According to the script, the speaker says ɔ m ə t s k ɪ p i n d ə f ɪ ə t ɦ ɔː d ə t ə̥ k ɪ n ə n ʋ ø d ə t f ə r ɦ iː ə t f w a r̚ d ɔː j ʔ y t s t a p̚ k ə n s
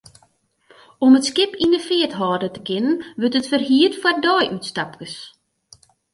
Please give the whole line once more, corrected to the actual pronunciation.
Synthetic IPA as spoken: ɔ m ə t s k ɪ p i n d ə f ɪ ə t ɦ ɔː d ə t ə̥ k ɪ n ə n ʋ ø t ə t f ə r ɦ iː ə t f w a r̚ d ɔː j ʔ y t s t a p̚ k ə s